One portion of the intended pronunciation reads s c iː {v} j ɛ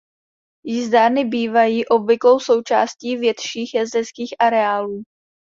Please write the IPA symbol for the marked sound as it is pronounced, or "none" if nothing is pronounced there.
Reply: v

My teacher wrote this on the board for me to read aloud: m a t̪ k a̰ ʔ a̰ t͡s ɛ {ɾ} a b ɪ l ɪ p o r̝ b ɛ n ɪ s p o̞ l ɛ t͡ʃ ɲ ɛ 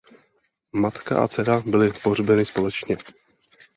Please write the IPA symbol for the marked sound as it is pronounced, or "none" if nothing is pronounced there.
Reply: ɾ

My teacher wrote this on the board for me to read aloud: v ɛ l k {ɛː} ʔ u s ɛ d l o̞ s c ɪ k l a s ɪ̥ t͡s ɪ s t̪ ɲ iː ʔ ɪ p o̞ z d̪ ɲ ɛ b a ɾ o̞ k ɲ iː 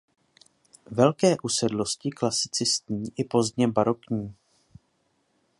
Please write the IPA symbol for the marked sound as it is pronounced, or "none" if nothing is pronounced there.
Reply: ɛː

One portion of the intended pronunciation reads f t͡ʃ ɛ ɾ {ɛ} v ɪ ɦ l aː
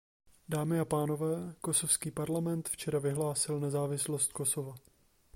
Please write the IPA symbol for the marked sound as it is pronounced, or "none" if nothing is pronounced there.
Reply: a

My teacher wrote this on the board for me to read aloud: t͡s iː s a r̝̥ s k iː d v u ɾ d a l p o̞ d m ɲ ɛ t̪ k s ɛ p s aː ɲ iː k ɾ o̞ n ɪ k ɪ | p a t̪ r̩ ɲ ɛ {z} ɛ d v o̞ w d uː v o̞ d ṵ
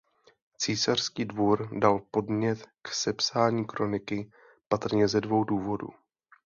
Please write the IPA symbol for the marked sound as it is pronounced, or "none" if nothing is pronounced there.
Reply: z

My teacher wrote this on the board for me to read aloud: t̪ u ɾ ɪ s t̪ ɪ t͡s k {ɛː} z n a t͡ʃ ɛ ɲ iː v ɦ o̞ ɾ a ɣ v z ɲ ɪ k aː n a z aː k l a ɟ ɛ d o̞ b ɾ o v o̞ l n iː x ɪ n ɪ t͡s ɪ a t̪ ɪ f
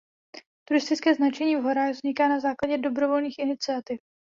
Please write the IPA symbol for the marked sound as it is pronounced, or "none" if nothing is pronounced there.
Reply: ɛː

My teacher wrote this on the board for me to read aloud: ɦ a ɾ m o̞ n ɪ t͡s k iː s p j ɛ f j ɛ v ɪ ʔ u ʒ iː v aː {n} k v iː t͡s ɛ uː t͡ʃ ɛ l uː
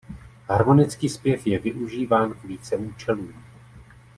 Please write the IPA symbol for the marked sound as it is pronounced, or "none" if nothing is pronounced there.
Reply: n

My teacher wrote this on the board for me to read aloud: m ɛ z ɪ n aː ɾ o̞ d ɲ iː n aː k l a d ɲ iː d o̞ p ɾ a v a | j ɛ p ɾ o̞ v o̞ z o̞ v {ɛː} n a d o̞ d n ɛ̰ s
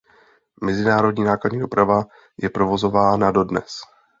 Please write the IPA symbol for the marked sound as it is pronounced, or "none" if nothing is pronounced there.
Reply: aː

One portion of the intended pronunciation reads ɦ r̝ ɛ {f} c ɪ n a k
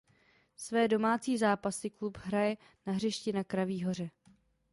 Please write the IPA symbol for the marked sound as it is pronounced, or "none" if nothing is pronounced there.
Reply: ʃ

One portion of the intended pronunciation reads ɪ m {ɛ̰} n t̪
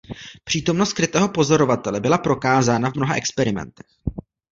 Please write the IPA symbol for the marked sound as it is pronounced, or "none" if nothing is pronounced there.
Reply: ɛ̰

